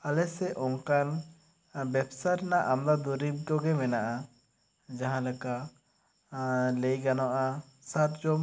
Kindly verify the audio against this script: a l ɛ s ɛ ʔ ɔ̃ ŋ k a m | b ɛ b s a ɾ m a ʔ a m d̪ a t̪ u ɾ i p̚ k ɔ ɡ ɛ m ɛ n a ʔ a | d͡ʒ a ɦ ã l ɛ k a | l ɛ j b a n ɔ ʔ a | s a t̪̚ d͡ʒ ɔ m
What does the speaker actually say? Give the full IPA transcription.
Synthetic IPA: a l ɛ s ɛ ʔ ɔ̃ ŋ k a n | b ɛ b s a ɾ n a ʔ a m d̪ a d̪ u ɾ i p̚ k ɔ ɡ ɛ m ɛ n a ʔ a | d͡ʒ a ɦ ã l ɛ k a | l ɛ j ɡ a n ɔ ʔ a | s a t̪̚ d͡ʒ ɔ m